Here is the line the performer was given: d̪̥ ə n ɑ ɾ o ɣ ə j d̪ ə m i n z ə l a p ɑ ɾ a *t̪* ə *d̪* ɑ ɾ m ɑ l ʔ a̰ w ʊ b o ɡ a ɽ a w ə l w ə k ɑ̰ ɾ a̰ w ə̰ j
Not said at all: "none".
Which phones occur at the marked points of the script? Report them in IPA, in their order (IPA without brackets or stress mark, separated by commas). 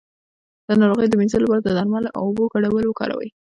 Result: d̪, d̪